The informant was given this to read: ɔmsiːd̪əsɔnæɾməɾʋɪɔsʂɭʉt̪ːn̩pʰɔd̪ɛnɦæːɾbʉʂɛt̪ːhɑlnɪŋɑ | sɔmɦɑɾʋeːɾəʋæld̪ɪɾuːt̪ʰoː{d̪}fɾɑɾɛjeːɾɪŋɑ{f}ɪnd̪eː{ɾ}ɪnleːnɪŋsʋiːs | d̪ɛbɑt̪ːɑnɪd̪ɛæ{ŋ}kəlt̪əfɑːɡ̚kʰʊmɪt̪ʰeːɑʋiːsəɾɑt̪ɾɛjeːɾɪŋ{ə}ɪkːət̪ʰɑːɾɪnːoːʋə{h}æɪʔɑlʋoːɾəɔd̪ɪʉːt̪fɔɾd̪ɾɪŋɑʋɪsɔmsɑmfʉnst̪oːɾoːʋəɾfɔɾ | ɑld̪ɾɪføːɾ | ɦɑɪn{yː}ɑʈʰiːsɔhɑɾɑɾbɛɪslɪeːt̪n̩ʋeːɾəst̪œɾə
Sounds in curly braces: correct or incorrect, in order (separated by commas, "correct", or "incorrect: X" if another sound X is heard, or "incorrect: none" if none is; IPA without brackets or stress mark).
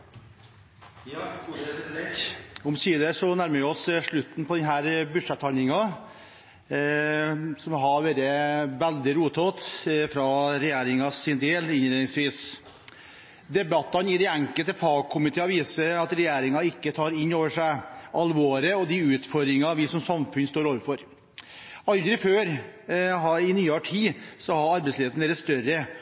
incorrect: t̪, incorrect: s, incorrect: l, correct, incorrect: ɑ, incorrect: ʂ, correct